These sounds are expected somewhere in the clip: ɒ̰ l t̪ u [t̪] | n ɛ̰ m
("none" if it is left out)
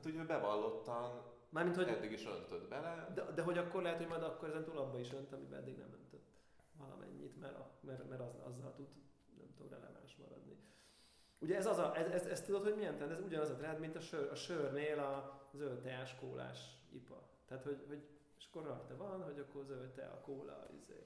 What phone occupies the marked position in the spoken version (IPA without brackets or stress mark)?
d̪